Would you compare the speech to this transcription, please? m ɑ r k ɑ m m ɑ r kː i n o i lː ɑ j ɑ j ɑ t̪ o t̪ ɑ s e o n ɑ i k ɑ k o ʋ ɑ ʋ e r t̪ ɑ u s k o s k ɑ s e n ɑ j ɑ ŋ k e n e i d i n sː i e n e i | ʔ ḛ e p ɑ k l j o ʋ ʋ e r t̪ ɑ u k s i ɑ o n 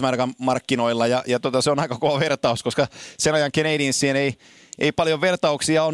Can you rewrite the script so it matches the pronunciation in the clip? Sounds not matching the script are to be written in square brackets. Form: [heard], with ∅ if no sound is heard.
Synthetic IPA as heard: m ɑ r k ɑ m m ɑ r kː i n o i lː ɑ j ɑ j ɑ t̪ o t̪ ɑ s e o n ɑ i k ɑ k o ʋ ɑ ʋ e r t̪ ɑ u s k o s k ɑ s e n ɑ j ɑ ŋ k e n e i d i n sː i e n e i | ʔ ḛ [i] p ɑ [∅] l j o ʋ ʋ e r t̪ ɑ u k s i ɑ o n